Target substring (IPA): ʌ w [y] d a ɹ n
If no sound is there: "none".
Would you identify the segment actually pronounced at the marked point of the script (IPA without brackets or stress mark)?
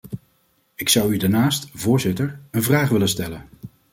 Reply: y